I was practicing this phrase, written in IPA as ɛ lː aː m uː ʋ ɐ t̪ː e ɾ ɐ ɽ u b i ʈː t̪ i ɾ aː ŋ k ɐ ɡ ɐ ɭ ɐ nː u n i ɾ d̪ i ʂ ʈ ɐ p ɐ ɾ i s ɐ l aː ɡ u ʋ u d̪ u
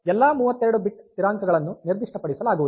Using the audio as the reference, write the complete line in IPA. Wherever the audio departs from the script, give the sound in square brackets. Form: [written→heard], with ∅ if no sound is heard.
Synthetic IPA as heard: ɛ lː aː m uː ʋ ɐ t̪ː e ɾ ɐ ɽ u b i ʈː t̪ i ɾ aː ŋ k ɐ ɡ ɐ ɭ ɐ nː u n i ɾ d̪ i ʂ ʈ ɐ p ɐ [ɾ→ɽ] i s ɐ l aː ɡ u ʋ u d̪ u

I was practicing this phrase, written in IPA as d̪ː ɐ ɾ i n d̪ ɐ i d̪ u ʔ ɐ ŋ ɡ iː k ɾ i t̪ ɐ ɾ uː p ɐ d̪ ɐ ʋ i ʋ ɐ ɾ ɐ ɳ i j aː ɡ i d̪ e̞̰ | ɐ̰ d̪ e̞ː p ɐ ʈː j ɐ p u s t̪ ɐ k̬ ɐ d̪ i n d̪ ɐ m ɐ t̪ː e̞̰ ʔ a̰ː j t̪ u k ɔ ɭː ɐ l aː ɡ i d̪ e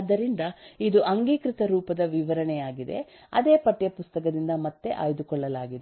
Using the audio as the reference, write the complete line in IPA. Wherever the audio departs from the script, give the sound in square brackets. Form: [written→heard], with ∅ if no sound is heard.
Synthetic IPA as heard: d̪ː ɐ ɾ i n d̪ ɐ i d̪ u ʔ ɐ ŋ ɡ iː k ɾ i t̪ ɐ ɾ uː p ɐ d̪ ɐ ʋ i ʋ ɐ ɾ ɐ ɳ [i→ɛ] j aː ɡ i d̪ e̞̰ | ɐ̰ d̪ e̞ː p ɐ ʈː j ɐ p u s t̪ ɐ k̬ ɐ d̪ i n d̪ ɐ m ɐ t̪ː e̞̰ ʔ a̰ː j [t̪→d̪] u k ɔ ɭː ɐ l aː ɡ i d̪ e

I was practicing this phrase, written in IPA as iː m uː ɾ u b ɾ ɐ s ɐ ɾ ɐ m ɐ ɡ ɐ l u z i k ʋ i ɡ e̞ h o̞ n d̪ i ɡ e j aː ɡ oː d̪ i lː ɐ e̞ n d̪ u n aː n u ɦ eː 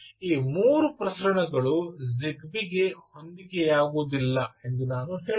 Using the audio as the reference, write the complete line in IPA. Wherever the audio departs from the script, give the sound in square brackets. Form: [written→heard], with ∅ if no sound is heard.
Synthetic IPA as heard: iː m uː ɾ u [b→p] ɾ ɐ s ɐ ɾ ɐ [m→ɳ] ɐ ɡ ɐ [l→ɭ] u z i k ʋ i ɡ e̞ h o̞ n d̪ i ɡ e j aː ɡ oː d̪ i lː ɐ e̞ n d̪ u n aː n u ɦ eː

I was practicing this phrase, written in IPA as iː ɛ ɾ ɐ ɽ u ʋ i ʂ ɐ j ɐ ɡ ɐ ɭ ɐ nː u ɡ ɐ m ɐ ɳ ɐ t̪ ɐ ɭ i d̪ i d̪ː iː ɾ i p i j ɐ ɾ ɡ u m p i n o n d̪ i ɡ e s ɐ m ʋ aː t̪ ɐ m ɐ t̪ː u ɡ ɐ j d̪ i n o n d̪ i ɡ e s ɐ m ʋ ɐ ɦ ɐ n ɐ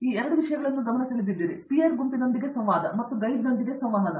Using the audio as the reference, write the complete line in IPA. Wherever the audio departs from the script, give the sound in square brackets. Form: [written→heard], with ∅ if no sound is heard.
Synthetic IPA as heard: iː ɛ ɾ ɐ ɽ u ʋ i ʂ ɐ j ɐ ɡ ɐ ɭ ɐ nː u ɡ ɐ m ɐ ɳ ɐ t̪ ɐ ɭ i d̪ i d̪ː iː ɾ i p i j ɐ ɾ ɡ u m p i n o n d̪ i ɡ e s ɐ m ʋ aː [t̪→d̪] ɐ m ɐ t̪ː u ɡ ɐ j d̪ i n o n d̪ i ɡ e s ɐ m ʋ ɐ ɦ ɐ n ɐ

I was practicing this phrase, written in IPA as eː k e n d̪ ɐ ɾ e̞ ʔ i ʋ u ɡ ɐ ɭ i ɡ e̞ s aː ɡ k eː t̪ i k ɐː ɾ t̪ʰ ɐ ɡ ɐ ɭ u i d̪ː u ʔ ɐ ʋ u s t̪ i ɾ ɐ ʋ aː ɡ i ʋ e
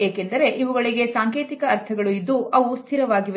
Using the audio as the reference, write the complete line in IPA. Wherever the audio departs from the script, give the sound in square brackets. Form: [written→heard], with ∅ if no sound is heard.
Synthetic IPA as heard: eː k e n d̪ ɐ ɾ e̞ ʔ i ʋ u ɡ ɐ ɭ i ɡ e̞ s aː [ɡ→ŋ] k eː t̪ i k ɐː ɾ t̪ʰ ɐ ɡ ɐ ɭ u i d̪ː u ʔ ɐ ʋ u s [t̪→t̪ʰ] i ɾ ɐ ʋ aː ɡ i ʋ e

